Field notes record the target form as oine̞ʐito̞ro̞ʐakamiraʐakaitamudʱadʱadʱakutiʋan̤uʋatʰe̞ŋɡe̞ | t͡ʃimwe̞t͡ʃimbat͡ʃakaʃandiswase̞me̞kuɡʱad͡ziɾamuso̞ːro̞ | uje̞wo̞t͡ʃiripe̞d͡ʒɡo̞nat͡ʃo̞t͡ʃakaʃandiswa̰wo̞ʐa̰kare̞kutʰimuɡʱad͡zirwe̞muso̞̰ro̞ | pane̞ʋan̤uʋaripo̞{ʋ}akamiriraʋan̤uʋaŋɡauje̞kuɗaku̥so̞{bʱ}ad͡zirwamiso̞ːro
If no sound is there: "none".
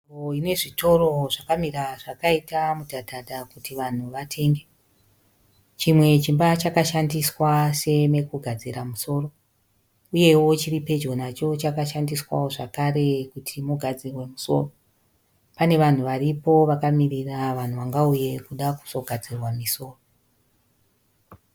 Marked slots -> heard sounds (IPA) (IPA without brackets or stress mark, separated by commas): ʋ, ɡʱ